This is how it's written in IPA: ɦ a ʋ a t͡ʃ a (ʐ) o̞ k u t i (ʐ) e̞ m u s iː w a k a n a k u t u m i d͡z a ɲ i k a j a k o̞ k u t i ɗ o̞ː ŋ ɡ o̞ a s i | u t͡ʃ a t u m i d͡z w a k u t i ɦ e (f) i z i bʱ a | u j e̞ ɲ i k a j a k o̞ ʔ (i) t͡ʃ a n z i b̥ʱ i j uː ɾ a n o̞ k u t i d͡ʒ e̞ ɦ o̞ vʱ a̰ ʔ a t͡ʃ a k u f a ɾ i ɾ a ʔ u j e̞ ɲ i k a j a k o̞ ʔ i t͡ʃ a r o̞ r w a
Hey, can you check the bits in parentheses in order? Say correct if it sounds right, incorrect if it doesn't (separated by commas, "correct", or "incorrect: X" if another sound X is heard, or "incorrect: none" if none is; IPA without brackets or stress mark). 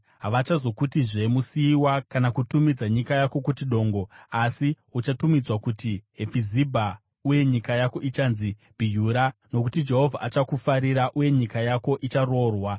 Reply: incorrect: z, correct, correct, correct